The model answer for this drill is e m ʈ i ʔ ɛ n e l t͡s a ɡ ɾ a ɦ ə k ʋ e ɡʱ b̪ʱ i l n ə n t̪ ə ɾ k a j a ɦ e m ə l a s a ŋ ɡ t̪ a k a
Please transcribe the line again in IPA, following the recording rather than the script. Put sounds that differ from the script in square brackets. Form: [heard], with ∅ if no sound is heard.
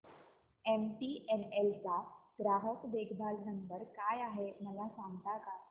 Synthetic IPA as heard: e m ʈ i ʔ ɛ n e l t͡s a ɡ ɾ a ɦ ə k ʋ e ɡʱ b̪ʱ [a] l n ə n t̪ ə ɾ k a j a ɦ e m ə l a s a ŋ ɡ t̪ a k a

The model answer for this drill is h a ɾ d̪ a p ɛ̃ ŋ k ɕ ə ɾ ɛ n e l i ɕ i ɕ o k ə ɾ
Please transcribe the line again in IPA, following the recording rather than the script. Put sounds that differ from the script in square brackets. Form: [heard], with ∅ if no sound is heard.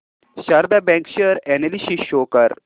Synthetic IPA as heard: [ɕ] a ɾ d̪ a [b] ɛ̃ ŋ k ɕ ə ɾ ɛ n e l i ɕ i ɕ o k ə ɾ

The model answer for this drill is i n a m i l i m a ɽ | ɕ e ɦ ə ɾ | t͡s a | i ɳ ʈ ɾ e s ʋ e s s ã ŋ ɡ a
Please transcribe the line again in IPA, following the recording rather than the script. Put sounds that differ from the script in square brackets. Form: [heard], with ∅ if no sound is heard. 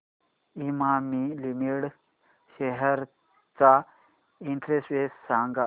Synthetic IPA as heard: i [m] a m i l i m [i] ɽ | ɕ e ɦ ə ɾ | t͡s a | i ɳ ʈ ɾ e s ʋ e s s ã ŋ ɡ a

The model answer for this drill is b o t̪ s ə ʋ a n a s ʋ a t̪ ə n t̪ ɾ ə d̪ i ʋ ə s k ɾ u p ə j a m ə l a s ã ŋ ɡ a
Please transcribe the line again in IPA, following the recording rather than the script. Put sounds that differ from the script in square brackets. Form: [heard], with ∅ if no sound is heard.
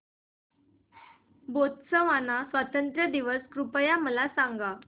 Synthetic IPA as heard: b o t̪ s ə ʋ a n a s ʋ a t̪ ə n t̪ ɾ ə d̪ i ʋ ə s k ɾ u p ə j a m ə l a s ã ŋ ɡ a

